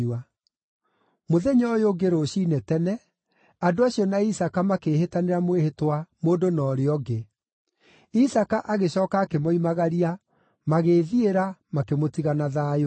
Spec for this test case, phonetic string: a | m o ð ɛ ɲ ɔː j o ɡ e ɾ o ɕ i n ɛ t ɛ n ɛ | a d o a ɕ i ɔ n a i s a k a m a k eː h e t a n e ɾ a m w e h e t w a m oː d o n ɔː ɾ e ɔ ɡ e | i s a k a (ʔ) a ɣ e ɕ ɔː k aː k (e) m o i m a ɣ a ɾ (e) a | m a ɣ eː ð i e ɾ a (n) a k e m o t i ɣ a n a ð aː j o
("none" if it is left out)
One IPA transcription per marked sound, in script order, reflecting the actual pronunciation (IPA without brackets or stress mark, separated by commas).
ʔ, e, i, m